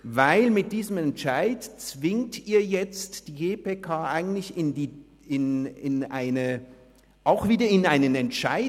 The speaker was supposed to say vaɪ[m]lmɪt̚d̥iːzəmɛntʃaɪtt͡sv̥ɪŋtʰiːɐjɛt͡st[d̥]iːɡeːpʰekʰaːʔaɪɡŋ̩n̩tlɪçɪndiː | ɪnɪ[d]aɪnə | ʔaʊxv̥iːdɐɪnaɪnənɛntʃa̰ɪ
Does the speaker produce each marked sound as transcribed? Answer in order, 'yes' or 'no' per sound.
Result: no, yes, no

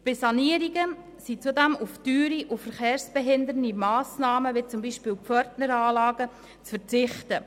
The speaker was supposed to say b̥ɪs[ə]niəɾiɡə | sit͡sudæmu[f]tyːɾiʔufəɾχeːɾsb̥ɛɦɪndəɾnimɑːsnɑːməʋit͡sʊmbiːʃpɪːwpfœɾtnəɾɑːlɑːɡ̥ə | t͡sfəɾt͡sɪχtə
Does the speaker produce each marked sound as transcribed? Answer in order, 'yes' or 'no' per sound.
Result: no, yes

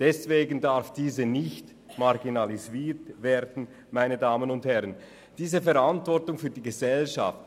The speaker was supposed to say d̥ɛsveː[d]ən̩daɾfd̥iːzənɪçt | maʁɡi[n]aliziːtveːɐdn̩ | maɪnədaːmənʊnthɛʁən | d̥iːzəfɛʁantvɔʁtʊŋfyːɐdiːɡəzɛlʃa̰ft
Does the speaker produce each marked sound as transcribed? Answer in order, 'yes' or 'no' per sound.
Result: no, yes

